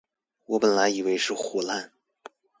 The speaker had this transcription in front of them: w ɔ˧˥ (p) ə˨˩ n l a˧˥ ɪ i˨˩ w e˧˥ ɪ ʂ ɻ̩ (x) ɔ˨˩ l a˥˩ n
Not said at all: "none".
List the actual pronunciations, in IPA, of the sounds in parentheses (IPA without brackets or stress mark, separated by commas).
p, x